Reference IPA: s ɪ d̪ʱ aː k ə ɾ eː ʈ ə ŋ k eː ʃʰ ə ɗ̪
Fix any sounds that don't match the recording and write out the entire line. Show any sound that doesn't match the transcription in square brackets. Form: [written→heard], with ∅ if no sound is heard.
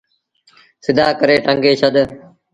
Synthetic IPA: s ɪ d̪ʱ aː k ə ɾ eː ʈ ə ŋ [k→ɡ] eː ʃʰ ə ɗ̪